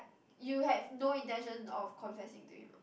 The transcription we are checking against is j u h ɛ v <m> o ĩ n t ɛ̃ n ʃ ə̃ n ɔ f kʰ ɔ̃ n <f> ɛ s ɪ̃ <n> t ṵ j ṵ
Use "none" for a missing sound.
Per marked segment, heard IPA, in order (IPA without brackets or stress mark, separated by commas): n, f, ŋ